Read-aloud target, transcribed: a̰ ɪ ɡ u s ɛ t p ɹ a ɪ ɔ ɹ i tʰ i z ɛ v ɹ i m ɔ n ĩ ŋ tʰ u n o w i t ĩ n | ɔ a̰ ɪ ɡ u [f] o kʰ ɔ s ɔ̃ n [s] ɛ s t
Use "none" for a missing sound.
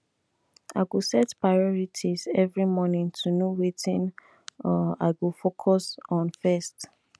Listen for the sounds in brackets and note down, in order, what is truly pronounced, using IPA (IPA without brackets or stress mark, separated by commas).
f, f